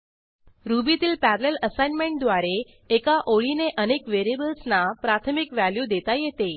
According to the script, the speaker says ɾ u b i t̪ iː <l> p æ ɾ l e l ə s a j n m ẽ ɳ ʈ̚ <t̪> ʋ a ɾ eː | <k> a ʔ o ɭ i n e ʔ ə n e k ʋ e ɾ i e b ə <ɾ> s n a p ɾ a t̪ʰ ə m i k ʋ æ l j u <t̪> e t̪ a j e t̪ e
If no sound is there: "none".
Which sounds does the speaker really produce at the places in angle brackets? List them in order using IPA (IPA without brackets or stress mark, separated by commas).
l, d̪, k, l, d̪